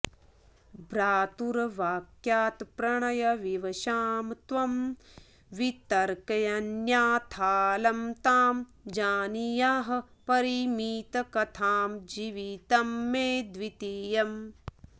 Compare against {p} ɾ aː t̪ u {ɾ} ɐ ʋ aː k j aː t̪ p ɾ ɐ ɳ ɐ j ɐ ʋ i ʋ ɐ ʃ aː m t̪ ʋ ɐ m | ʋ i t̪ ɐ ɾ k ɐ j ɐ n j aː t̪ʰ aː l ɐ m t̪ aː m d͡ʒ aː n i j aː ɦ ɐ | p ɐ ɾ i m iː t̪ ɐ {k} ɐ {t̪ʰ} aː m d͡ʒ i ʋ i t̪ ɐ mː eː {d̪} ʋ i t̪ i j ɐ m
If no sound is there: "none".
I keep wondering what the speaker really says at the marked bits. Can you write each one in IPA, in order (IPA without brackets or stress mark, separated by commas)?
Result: b, ɾ, k, t̪ʰ, d̪